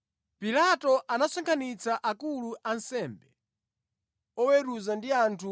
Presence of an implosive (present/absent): absent